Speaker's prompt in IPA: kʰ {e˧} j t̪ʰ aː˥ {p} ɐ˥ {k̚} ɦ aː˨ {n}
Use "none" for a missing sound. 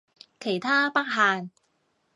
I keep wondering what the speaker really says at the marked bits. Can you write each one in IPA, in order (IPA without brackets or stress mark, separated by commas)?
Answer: e˨˩, p, k̚, n